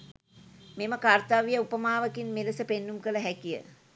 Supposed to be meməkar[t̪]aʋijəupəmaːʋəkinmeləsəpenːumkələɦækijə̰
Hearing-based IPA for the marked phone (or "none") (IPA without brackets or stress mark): t̪